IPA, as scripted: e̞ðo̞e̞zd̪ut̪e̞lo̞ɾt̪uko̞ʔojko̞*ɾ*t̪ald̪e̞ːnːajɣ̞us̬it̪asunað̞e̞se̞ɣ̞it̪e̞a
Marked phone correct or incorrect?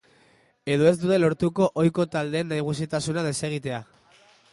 incorrect